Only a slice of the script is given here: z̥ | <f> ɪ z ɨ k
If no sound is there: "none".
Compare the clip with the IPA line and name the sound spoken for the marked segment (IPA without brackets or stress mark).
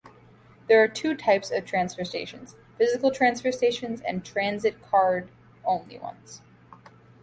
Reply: f